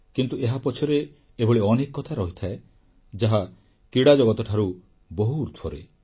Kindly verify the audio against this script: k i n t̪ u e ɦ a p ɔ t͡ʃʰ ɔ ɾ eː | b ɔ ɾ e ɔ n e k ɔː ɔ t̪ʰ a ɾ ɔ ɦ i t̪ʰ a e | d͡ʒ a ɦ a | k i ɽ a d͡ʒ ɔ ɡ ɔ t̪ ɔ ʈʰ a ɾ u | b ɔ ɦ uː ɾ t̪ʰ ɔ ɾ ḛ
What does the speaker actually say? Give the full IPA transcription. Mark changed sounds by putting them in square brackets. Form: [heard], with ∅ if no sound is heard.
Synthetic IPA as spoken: k i n t̪ u e ɦ a p ɔ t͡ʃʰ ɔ ɾ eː | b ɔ [ɭ] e ɔ n e k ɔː ɔ t̪ʰ a ɾ ɔ ɦ i t̪ʰ a e | d͡ʒ a ɦ a | k i ɽ a d͡ʒ ɔ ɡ ɔ t̪ ɔ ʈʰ a ɾ u | b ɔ ɦ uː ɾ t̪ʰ ɔ ɾ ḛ

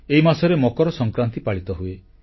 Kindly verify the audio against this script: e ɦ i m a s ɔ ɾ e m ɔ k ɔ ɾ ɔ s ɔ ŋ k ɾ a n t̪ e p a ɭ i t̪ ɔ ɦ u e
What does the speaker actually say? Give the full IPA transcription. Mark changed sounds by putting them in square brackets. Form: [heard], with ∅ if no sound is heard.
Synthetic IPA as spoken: e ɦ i m a s ɔ ɾ e m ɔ k ɔ ɾ ɔ s ɔ ŋ k ɾ a n t̪ [i] p a ɭ i t̪ ɔ ɦ u e

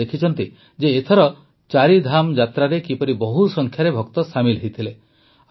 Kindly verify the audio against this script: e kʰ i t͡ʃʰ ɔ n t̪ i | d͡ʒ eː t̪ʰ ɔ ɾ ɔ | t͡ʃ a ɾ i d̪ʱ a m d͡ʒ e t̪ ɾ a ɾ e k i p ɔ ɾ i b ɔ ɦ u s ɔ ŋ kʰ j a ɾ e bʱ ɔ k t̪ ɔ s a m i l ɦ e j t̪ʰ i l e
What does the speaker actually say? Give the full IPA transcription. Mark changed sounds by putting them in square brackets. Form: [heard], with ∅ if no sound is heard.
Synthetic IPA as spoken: e kʰ i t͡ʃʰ ɔ n t̪ i | d͡ʒ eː t̪ʰ ɔ ɾ ɔ | t͡ʃ a ɾ i d̪ʱ a m d͡ʒ [a] t̪ ɾ a ɾ e k i p ɔ ɾ i b ɔ ɦ u s ɔ ŋ kʰ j a ɾ e bʱ ɔ k t̪ ɔ s a m i l ɦ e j t̪ʰ i l e

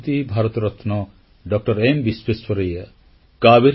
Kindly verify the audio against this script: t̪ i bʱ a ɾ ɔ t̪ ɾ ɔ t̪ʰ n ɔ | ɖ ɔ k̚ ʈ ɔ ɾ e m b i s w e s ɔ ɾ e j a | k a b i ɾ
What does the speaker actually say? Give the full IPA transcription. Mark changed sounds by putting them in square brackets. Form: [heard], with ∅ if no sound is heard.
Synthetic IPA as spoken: t̪ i bʱ a ɾ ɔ t̪ ɾ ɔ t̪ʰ n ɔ | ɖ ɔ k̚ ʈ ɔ ɾ e m b i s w e s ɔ ɾ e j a | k a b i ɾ

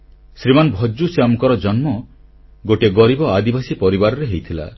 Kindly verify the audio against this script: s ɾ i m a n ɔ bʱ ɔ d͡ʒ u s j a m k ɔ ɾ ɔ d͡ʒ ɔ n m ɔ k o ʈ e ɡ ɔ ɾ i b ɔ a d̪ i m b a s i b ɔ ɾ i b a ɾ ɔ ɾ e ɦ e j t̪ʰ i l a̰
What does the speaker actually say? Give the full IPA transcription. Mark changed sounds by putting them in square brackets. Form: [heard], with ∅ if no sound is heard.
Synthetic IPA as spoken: s ɾ i m a n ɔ bʱ ɔ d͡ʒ u s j a m k ɔ ɾ ɔ d͡ʒ ɔ n m ɔ [ɡ] o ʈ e ɡ ɔ ɾ i b ɔ a d̪ i [∅] b a s i [p] ɔ ɾ i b a ɾ ɔ ɾ e ɦ e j t̪ʰ i l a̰

